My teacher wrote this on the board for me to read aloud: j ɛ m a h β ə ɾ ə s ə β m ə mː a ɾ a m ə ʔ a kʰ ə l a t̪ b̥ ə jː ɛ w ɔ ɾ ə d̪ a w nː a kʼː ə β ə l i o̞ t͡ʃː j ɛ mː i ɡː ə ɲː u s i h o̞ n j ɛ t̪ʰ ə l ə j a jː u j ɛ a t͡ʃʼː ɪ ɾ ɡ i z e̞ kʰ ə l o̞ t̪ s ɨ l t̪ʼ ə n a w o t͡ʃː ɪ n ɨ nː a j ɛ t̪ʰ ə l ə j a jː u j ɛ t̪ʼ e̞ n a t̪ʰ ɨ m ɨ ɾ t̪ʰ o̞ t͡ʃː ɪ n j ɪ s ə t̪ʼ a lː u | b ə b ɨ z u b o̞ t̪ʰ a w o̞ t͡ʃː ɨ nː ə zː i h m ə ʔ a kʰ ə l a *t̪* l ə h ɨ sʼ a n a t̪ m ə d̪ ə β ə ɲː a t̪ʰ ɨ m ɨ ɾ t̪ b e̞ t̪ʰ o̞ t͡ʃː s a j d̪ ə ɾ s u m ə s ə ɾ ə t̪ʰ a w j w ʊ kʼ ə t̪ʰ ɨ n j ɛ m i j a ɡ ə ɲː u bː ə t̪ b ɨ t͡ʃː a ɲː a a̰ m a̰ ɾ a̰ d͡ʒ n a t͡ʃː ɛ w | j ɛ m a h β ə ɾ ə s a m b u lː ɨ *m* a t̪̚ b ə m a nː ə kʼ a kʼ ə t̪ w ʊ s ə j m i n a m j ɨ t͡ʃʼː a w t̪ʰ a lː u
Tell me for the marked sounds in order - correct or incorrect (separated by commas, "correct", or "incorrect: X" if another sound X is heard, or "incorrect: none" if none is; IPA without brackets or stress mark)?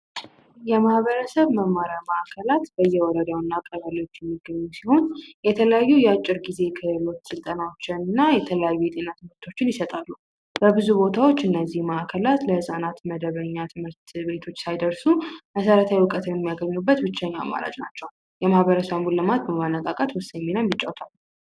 correct, correct